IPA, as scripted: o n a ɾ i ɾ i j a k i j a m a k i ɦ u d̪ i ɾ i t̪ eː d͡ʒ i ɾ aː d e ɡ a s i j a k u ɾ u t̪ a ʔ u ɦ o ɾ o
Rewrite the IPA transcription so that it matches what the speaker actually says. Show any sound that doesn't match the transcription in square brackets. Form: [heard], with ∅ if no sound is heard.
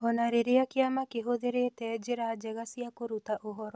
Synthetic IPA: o n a ɾ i ɾ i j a k i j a m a k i ɦ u d̪ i ɾ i t̪ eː d͡ʒ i ɾ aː [d͡ʒ] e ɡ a s i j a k u ɾ u t̪ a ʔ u ɦ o ɾ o